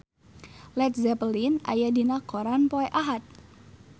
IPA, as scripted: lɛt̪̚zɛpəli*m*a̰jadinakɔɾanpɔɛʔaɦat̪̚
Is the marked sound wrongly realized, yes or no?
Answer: yes